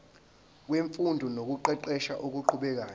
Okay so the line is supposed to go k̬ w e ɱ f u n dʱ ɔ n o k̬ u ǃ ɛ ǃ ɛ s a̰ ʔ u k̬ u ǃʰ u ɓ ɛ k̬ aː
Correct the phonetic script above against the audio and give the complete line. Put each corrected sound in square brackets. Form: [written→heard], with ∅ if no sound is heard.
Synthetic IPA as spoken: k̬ w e ɱ f u n dʱ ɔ n o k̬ u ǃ ɛ ǃ ɛ [s→ʃ] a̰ ʔ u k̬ u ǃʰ u ɓ ɛ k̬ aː